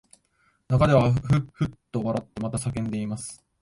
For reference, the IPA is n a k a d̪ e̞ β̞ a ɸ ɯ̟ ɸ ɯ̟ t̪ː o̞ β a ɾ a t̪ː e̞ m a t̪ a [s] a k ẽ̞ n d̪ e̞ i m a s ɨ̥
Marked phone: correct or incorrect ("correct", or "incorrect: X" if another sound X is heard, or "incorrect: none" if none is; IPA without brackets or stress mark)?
correct